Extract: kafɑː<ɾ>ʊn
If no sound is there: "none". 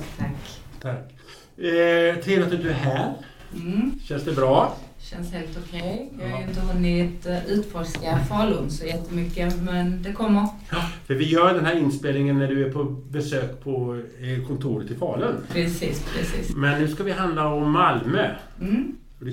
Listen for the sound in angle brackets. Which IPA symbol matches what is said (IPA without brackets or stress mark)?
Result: l